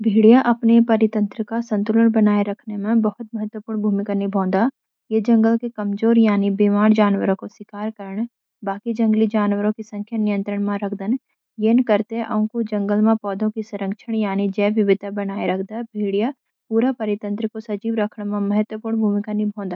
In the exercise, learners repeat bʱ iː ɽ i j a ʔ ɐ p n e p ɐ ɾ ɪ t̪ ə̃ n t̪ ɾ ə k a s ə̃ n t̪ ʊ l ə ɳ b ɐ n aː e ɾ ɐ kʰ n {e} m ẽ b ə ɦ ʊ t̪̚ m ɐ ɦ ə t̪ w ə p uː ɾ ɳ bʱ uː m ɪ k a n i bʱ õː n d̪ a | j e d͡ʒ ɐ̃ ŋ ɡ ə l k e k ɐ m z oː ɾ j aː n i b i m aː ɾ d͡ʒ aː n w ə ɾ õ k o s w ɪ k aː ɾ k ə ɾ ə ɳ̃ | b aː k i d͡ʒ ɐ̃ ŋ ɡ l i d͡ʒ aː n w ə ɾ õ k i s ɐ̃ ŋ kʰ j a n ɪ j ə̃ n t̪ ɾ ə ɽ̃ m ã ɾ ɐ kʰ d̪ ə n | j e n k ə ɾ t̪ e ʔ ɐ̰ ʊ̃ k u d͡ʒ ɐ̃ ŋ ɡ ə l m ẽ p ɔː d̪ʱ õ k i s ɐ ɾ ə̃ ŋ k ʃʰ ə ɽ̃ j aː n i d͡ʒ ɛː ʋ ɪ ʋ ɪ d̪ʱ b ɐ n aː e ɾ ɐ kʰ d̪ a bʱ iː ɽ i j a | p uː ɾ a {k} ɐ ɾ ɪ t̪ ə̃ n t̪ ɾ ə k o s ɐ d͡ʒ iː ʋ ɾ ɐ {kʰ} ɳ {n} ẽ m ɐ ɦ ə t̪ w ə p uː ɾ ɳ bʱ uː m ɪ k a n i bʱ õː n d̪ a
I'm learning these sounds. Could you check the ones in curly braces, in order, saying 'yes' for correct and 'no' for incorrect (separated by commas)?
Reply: yes, no, yes, no